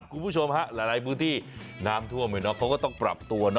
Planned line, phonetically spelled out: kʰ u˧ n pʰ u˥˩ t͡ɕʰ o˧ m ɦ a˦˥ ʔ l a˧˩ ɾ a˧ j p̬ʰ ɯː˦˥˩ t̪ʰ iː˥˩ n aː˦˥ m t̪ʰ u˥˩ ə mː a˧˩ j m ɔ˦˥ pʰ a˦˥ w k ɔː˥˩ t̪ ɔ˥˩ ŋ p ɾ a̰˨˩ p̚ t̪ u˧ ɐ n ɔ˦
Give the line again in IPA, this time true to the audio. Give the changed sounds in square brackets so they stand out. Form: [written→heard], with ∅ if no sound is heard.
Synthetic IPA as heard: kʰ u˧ n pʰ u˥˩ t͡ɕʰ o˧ m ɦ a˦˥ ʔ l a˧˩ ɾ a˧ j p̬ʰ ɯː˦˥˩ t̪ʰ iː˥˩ n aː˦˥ m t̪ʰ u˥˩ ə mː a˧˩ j [m→n] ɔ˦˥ [pʰ→kʰ] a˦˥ w k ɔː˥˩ t̪ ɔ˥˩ ŋ p ɾ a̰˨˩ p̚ t̪ u˧ ɐ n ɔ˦